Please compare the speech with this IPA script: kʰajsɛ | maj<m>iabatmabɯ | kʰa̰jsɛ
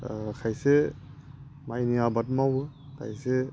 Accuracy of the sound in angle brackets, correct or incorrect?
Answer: incorrect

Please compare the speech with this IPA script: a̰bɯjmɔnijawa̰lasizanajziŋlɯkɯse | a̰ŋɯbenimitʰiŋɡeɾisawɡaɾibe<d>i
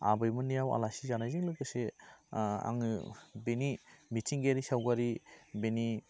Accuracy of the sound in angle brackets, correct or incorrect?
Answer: incorrect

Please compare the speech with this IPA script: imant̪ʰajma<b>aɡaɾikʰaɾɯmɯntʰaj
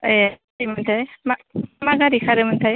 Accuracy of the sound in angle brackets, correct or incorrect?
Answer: incorrect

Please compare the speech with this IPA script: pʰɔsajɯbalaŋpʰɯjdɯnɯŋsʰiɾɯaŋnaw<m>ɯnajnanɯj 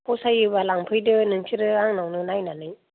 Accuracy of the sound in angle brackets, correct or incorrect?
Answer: incorrect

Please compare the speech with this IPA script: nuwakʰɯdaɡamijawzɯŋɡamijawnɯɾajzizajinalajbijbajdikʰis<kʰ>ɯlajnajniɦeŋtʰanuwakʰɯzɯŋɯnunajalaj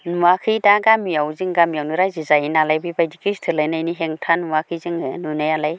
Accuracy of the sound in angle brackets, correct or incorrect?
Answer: incorrect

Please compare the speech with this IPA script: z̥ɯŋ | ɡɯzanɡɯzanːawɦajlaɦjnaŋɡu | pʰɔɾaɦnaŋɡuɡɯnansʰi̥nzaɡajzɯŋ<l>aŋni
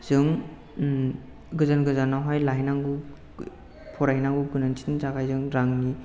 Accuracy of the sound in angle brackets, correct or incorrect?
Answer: incorrect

